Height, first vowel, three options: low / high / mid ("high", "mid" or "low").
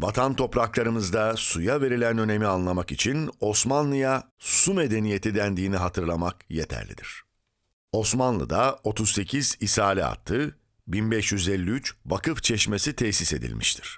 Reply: low